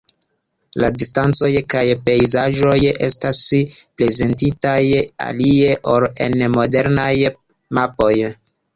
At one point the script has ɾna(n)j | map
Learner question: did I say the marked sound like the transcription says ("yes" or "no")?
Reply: no